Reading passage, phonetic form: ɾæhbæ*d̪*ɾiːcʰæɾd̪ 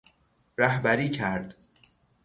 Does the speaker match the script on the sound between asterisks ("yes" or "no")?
no